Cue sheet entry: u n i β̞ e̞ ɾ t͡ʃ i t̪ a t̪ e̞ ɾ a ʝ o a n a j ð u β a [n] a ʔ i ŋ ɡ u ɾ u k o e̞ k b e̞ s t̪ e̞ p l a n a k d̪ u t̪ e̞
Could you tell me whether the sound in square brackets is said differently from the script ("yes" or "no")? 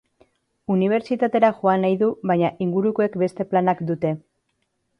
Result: yes